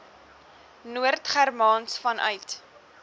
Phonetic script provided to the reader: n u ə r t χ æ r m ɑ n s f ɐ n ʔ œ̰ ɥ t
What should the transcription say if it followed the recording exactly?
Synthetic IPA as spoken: n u ə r t χ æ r m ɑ n s f ɐ n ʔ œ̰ ɥ t